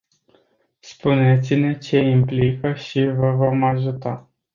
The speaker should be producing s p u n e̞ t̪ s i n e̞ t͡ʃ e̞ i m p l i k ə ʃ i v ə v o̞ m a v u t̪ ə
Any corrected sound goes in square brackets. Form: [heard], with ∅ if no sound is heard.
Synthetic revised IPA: s p u n e̞ t̪ s i n e̞ t͡ʃ e̞ i m p l i k ə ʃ i v ə v o̞ m a [ʒ] u t̪ [a]